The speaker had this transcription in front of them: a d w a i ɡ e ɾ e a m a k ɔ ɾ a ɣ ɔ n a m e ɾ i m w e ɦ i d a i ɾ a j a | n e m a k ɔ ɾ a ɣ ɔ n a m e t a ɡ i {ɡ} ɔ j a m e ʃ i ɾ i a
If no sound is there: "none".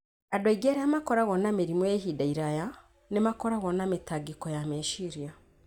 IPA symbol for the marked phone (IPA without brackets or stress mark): k